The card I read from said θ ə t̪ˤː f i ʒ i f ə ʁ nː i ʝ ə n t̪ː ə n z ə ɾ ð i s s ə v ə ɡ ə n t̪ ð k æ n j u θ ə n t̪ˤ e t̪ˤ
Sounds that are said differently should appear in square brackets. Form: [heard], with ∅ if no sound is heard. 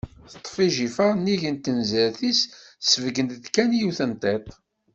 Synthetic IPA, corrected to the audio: θ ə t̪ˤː f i ʒ i f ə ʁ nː i ʝ ə n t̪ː ə n z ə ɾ [θ] i s s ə v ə ɡ ə n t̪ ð k æ n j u θ ə n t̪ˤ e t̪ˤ